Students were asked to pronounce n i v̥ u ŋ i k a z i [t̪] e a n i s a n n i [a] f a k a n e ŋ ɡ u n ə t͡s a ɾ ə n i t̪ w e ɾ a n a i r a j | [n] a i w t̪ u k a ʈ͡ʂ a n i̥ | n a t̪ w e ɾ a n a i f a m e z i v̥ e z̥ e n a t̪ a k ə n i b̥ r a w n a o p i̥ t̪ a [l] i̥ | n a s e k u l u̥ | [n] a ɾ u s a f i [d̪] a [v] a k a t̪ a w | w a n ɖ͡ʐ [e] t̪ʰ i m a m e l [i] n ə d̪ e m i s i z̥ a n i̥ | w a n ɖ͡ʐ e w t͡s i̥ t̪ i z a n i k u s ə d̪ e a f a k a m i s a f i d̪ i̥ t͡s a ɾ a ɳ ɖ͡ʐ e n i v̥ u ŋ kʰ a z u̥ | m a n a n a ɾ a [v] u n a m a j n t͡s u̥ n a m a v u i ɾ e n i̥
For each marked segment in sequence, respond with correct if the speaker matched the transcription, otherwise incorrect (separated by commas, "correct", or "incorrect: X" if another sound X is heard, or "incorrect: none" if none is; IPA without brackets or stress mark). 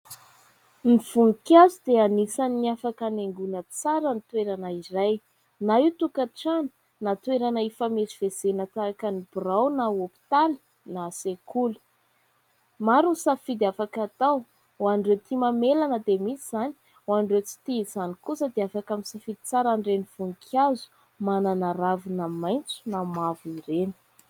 incorrect: d̪, correct, correct, correct, incorrect: m, correct, incorrect: f, correct, incorrect: a, correct